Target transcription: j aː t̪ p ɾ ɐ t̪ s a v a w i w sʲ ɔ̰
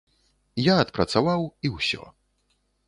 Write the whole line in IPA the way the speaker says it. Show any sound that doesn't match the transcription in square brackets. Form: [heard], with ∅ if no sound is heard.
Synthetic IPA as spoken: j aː t̪ p ɾ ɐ t̪ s a v a w i w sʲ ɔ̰